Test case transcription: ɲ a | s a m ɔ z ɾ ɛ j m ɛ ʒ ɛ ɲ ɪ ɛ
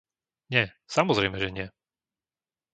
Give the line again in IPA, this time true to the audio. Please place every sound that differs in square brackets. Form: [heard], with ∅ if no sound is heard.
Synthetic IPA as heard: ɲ [ɛ] | s a m ɔ z ɾ ɛ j m ɛ ʒ ɛ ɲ ɪ ɛ